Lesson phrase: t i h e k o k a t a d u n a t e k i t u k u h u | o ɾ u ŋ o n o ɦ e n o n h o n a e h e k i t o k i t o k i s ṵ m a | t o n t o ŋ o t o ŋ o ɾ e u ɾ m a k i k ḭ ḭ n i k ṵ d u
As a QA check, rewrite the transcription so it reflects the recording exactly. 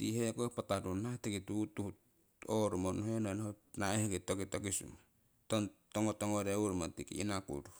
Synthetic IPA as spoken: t i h e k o p a t a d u n a t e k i t u t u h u | o ɾ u m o n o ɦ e n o n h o n a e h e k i t o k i t o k i s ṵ m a | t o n t o ŋ o t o ŋ o ɾ e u ɾ m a t i k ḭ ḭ n a k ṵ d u